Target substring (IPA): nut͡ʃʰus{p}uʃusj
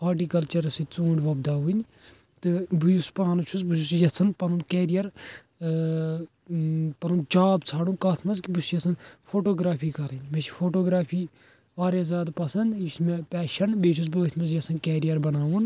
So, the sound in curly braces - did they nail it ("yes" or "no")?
no